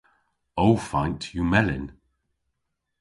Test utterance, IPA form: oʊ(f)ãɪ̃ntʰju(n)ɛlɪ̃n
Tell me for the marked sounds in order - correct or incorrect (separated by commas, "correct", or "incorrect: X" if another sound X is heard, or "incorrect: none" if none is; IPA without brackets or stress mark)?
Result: correct, incorrect: m